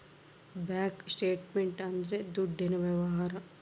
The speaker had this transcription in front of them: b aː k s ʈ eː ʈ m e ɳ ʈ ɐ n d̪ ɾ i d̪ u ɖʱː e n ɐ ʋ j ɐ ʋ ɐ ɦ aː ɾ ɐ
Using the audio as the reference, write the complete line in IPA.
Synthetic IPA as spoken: b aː k s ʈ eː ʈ m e ɳ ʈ ɐ n d̪ ɾ e d̪ u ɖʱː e n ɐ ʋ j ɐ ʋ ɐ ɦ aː ɾ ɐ